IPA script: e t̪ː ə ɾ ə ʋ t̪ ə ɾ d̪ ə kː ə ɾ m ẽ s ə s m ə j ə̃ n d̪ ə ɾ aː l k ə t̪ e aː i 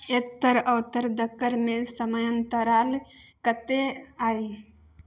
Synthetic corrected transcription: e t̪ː ə ɾ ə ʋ t̪ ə ɾ d̪ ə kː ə ɾ m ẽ s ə m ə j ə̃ n t̪ ə ɾ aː l k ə t̪ e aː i